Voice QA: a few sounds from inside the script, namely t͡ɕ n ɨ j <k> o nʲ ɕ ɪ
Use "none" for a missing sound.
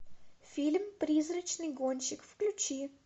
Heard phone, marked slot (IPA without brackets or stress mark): ɡ